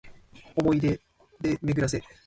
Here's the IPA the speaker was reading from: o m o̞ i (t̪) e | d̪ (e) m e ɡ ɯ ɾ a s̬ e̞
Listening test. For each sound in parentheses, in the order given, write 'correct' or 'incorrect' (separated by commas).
incorrect, correct